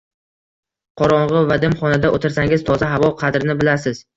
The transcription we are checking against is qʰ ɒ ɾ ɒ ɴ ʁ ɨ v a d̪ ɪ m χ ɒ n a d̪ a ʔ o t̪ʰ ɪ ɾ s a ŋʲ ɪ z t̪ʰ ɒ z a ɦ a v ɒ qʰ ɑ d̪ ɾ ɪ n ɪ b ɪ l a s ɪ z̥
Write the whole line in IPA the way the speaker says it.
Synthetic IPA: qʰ ɒ ɾ ɒ ɴ ʁ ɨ v a d̪ ɪ m χ ɒ n a d̪ a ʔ o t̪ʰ ɪ ɾ s a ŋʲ ɪ z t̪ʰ ɒ z a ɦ a v ɒ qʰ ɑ d̪ ɾ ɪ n ɪ b ɪ l a s ɪ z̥